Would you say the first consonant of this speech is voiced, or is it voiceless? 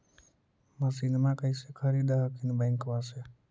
voiced